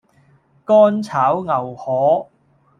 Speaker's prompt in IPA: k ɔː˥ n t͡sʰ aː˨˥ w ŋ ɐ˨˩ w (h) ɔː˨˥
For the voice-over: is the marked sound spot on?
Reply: yes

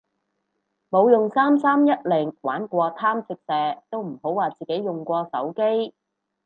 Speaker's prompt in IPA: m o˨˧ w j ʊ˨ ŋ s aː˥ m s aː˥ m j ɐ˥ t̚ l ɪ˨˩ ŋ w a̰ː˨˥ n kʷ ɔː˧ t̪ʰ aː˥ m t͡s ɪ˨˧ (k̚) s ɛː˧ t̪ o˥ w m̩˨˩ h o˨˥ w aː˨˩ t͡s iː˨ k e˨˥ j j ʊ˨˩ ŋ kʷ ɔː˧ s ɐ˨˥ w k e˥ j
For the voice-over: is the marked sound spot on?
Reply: yes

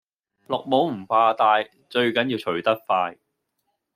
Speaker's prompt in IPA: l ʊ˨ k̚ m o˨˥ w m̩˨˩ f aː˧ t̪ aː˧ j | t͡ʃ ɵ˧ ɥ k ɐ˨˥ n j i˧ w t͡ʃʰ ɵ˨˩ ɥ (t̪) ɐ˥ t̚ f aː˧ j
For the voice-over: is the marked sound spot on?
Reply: yes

